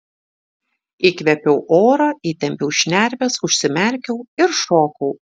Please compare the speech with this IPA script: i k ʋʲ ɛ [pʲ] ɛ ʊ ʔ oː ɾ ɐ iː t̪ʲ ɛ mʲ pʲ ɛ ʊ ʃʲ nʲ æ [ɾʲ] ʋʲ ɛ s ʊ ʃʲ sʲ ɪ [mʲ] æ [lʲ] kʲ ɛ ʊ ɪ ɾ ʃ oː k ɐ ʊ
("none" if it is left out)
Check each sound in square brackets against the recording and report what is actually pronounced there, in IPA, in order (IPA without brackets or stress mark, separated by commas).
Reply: pʲ, ɾʲ, mʲ, ɾʲ